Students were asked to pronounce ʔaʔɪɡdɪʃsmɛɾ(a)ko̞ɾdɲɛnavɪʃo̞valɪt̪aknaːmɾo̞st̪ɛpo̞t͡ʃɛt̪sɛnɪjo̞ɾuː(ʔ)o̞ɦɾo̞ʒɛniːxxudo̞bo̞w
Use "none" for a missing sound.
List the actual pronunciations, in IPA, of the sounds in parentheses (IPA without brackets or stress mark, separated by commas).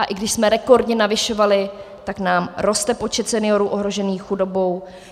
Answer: ɛ, ʔ